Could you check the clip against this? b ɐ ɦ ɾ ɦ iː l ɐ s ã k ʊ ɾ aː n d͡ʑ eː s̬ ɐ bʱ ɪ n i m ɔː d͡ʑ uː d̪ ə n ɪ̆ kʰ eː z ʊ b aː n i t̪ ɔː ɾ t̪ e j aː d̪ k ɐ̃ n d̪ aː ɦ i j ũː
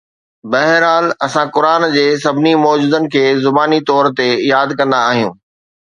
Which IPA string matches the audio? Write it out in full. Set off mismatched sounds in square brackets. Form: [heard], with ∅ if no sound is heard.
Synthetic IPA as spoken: b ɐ ɦ ɾ ɦ [aː] l ɐ s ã k ʊ ɾ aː n d͡ʑ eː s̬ ɐ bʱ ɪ n i m ɔː d͡ʑ uː d̪ ə n ɪ̆ kʰ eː z ʊ b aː n i t̪ ɔː ɾ t̪ e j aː d̪ k ɐ̃ n d̪ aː ɦ i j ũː